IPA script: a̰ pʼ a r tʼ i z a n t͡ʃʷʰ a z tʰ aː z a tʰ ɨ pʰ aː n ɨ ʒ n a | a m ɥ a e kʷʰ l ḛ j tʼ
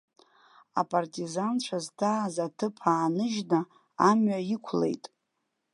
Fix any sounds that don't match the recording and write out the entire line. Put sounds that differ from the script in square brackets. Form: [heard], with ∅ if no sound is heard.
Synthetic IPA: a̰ pʼ a r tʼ i z a n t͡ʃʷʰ a z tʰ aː z a tʰ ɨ pʰ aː n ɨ ʒ n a | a m ɥ a [i] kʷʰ l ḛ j tʼ